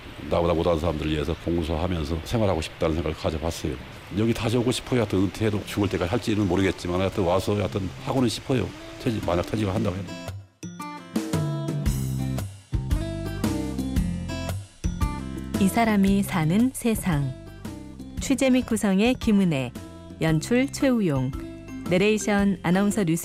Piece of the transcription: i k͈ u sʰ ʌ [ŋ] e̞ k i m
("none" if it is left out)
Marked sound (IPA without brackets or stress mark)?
ŋ